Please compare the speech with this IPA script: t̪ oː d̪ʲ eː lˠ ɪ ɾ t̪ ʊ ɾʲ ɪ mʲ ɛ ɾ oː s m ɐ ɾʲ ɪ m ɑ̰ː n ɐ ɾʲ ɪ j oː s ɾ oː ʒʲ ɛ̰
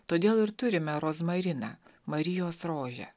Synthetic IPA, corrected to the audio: t̪ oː d̪ʲ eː lˠ ɪ ɾ t̪ ʊ ɾʲ ɪ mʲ ɛ ɾ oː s m ɐ ɾʲ ɪ n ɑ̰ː m ɐ ɾʲ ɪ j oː s ɾ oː ʒʲ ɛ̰